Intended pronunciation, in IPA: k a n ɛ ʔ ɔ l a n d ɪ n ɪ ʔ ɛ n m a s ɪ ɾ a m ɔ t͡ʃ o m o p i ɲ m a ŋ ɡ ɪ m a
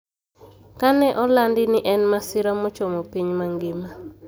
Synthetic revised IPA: k a n ɛ ʔ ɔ l a n d ɪ n ɪ ʔ ɛ n m a s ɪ ɾ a m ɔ t͡ʃ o m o p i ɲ m a ŋ ɡ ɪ m a